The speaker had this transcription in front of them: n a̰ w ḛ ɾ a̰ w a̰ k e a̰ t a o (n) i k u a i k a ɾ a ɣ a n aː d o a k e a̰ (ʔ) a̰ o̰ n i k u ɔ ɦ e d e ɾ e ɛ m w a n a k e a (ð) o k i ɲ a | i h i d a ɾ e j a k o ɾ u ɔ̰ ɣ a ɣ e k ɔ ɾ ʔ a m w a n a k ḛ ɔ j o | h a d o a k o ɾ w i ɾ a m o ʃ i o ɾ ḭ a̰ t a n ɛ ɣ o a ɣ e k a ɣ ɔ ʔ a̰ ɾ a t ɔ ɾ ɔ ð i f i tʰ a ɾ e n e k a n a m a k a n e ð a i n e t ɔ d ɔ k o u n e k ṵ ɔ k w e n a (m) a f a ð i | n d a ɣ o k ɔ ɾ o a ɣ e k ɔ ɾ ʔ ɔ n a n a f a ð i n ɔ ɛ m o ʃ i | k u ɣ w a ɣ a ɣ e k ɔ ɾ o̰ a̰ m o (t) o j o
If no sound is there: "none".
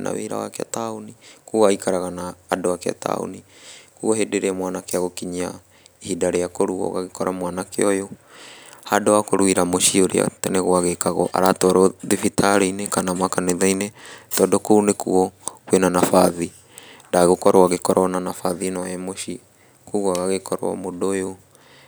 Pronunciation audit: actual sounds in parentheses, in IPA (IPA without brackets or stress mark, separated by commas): n, t, ɣ, n, d